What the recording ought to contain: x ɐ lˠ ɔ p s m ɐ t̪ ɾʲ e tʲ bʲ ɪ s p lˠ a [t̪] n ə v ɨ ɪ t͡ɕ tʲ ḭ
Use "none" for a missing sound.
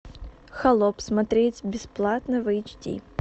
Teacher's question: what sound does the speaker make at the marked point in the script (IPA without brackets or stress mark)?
t̪